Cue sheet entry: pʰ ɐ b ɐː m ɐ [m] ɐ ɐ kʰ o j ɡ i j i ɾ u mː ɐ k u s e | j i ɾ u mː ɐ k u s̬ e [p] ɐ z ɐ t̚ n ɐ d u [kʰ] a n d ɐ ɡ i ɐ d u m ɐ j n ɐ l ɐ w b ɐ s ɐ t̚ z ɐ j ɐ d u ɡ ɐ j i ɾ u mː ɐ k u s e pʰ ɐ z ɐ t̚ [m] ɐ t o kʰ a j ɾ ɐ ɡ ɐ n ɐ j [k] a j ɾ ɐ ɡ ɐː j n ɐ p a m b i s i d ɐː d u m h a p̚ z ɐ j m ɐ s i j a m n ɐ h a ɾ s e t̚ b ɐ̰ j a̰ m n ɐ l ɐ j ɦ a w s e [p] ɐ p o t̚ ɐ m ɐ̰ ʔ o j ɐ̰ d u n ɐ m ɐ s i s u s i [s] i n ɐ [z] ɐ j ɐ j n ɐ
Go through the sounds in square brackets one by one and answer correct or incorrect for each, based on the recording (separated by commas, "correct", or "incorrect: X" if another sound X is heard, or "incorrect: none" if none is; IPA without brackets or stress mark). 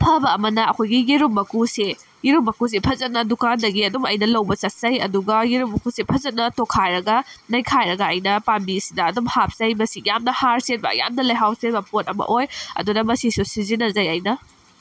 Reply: incorrect: n, incorrect: pʰ, incorrect: k, incorrect: n, incorrect: kʰ, incorrect: b, incorrect: z, correct